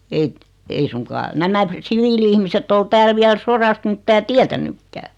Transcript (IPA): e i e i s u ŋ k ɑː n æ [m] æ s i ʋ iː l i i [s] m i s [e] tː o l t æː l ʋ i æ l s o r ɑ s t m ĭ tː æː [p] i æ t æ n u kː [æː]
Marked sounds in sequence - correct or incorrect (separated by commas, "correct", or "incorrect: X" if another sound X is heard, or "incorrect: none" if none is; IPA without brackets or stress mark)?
correct, incorrect: h, correct, incorrect: t, correct